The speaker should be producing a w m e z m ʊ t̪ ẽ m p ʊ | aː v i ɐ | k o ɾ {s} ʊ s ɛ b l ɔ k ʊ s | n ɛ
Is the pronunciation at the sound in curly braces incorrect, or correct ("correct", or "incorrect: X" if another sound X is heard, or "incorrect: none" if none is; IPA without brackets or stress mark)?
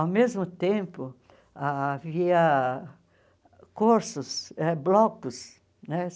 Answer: correct